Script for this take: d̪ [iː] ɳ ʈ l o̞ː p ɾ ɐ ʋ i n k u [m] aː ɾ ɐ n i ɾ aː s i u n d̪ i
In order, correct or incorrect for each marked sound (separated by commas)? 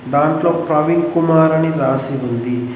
incorrect, correct